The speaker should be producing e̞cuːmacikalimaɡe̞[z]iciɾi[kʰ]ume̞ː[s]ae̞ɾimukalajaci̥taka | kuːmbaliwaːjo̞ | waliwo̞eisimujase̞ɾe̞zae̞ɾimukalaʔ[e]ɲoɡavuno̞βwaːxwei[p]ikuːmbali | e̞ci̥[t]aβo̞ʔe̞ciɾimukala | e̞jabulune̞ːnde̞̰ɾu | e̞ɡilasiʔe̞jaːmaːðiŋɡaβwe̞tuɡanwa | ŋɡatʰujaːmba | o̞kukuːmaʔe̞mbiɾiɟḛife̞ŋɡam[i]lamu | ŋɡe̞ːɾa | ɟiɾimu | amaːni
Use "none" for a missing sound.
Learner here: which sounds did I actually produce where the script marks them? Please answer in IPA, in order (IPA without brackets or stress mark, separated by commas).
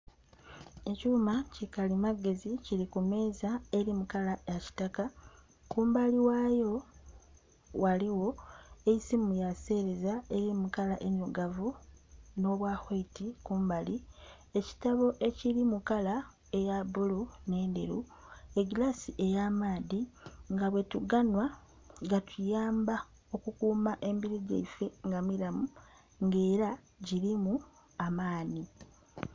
z, k, z, e, t, t, i